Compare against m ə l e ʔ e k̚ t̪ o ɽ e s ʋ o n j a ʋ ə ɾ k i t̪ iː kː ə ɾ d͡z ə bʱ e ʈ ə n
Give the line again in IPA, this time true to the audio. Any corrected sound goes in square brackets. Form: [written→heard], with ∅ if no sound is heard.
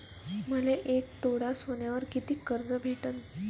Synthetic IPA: m ə l e ʔ e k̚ t̪ o ɽ [e→a] s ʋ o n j a ʋ ə ɾ k i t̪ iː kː ə ɾ d͡z ə bʱ e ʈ ə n